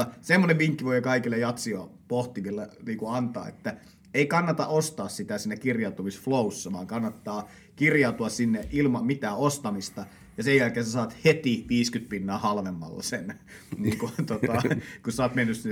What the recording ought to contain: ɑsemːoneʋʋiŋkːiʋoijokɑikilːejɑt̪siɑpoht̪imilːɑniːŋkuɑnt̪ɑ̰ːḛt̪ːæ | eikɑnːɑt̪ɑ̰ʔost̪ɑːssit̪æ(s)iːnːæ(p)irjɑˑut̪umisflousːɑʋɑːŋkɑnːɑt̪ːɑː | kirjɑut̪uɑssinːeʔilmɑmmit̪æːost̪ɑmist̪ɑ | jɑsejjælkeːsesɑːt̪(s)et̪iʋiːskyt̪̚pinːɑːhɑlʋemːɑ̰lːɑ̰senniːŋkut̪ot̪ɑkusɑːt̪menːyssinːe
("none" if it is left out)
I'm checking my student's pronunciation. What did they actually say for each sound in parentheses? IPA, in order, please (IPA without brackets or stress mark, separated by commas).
s, k, h